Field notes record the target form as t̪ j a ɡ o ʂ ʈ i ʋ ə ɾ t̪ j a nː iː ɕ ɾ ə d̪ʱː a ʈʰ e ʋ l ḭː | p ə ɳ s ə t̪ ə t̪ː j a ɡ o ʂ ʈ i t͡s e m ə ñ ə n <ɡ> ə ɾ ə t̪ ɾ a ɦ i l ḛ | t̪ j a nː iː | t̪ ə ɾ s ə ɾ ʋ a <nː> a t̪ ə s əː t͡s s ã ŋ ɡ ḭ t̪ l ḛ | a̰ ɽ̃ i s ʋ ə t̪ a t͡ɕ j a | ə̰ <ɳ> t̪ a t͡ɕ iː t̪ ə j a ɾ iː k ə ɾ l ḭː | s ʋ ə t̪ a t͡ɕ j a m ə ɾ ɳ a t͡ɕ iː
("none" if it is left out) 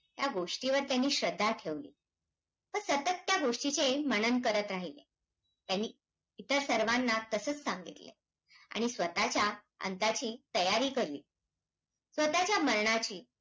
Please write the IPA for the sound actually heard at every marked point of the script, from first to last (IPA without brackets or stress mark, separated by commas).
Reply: k, nː, n